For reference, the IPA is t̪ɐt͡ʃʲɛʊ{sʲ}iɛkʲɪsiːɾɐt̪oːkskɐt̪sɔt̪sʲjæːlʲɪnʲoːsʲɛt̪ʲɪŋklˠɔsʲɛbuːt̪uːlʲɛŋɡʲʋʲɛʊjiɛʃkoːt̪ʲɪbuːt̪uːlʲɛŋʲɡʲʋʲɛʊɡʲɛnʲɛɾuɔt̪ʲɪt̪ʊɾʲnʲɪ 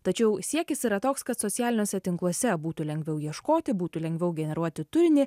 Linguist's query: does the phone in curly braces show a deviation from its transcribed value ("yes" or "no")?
no